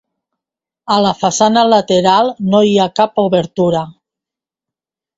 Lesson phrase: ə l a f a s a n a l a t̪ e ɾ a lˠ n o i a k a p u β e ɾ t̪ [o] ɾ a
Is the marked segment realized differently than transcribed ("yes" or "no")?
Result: yes